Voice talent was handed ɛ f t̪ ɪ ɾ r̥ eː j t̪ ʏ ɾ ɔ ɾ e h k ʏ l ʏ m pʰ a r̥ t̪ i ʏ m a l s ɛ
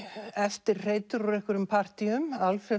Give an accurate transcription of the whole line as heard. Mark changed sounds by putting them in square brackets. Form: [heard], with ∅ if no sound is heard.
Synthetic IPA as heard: ɛ f t̪ ɪ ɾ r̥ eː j t̪ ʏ ɾ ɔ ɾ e h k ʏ [ɾ] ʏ m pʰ a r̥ t̪ i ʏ m a l [f] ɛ